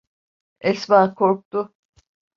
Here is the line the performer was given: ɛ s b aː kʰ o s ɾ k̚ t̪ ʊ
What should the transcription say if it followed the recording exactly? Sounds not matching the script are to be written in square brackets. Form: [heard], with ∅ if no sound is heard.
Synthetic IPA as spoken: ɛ s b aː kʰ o [∅] ɾ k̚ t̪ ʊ